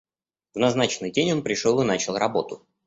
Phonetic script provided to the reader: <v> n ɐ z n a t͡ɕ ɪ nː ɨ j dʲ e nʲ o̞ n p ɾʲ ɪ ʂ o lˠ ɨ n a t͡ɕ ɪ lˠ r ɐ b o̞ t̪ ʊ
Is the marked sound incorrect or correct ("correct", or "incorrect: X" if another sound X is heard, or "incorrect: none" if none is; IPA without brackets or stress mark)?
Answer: correct